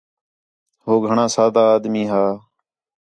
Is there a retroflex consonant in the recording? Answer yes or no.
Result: yes